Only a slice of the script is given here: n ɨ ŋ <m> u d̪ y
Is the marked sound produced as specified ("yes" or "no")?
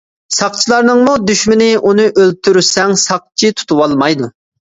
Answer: yes